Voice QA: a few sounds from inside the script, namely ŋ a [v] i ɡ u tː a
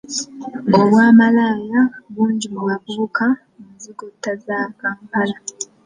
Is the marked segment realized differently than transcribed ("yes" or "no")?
yes